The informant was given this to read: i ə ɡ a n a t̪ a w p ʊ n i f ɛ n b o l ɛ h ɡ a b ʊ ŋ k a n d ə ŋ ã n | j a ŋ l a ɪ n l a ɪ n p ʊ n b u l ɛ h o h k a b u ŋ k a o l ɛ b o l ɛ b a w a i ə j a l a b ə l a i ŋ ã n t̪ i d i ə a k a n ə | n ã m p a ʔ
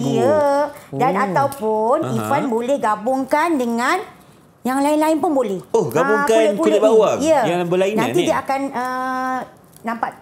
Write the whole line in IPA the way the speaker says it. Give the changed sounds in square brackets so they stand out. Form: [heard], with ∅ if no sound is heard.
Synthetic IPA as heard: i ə [d] a n a t̪ a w p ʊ n i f [a] n b o l ɛ h ɡ a b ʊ ŋ k a n d ə ŋ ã n | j a ŋ l a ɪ n l a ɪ n p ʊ n b [o] l ɛ h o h [ɡ] a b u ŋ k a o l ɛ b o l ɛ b a w a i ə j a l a b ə l a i [n] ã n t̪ i d i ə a k a n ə | n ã m p a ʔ